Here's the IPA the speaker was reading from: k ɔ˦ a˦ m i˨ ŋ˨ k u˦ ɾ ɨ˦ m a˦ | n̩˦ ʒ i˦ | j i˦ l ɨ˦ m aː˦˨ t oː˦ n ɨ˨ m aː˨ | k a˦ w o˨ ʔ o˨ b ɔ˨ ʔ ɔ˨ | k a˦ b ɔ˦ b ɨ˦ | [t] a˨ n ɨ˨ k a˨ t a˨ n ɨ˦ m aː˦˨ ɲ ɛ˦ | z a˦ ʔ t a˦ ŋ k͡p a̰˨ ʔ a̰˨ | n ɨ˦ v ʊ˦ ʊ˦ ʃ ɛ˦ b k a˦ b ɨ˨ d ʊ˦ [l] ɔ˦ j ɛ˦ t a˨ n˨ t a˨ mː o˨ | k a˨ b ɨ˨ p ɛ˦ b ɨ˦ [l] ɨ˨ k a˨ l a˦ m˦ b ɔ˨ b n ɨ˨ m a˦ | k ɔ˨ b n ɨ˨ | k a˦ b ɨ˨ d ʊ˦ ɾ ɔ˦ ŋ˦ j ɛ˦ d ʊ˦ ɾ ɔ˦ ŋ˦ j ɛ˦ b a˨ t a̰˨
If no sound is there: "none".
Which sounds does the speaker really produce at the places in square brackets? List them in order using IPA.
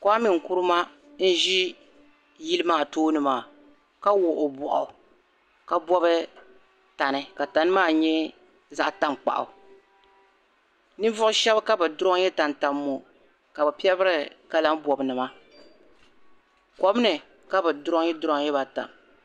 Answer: t, ɾ, ɾ

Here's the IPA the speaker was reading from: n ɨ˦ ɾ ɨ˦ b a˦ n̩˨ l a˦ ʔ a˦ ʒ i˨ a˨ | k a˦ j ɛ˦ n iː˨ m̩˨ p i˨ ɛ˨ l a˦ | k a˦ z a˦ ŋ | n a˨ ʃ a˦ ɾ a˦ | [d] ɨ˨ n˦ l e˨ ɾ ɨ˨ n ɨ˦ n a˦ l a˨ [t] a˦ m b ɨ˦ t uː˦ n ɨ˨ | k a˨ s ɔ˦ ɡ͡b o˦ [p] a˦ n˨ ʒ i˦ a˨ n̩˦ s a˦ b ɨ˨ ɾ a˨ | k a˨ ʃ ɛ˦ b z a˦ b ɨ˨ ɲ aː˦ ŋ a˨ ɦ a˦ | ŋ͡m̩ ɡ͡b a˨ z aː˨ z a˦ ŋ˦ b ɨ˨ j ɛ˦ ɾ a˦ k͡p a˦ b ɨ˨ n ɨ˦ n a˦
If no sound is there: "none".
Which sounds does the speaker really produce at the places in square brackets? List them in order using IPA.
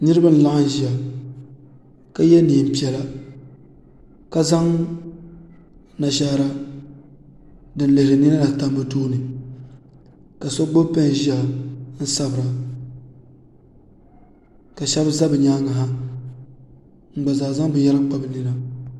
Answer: d, t, p

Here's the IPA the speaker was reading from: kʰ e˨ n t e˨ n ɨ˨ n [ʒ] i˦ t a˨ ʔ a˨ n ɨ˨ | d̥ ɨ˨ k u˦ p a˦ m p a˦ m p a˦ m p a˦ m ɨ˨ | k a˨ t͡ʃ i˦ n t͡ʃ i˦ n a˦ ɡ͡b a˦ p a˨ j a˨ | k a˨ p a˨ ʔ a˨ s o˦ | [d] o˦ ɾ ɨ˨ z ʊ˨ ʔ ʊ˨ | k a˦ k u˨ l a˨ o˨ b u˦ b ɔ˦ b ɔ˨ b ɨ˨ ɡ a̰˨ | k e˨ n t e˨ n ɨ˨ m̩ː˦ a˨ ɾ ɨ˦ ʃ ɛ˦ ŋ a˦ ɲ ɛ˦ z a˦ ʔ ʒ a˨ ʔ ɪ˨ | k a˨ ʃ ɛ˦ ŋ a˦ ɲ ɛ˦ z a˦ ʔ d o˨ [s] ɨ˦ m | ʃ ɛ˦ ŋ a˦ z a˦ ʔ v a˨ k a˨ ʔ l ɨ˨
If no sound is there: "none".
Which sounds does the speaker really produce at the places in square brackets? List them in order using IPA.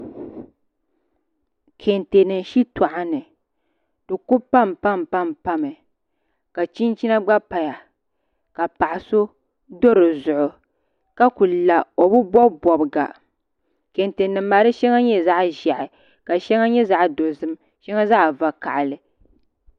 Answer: ʃ, d, z

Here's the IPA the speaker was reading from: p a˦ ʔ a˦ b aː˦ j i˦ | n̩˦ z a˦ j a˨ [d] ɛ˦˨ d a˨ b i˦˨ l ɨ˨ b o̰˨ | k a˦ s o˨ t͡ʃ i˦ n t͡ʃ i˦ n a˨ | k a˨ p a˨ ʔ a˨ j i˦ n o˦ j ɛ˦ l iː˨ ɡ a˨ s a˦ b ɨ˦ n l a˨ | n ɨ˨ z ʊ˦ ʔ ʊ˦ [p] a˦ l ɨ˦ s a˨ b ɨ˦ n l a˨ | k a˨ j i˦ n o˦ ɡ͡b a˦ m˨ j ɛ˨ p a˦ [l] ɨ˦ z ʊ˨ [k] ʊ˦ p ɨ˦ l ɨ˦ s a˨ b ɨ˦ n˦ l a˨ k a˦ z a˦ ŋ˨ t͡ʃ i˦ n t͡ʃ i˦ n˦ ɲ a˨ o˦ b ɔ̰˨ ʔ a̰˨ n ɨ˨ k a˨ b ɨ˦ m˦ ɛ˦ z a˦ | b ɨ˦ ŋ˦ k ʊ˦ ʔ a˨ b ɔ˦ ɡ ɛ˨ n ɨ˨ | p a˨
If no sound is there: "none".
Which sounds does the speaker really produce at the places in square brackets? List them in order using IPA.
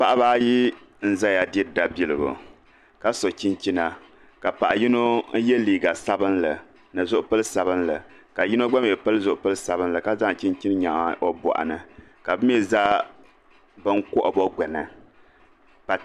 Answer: d, p, l, ʔ

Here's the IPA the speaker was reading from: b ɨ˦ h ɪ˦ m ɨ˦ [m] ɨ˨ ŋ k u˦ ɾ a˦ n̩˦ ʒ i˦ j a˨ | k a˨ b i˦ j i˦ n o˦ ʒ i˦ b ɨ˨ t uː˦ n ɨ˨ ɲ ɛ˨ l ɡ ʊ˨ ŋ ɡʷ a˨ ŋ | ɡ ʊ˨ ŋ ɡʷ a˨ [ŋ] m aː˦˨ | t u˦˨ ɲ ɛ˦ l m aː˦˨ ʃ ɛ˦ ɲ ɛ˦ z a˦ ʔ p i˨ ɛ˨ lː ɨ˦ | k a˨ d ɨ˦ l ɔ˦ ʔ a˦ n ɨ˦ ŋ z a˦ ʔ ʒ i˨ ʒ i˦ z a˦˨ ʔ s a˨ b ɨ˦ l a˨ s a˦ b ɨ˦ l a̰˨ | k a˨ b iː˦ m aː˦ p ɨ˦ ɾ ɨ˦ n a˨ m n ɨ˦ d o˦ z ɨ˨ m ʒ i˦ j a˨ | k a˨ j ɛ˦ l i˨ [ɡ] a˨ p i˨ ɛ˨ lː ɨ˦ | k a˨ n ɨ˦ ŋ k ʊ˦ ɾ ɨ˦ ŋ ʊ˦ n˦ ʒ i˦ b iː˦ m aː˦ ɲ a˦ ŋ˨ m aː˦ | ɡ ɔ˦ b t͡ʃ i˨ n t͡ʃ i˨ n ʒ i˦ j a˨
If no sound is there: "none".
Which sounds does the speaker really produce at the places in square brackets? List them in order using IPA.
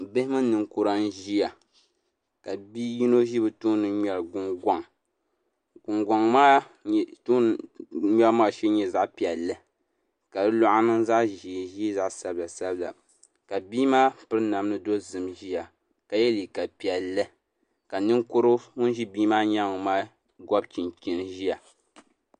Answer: n, ŋ, k

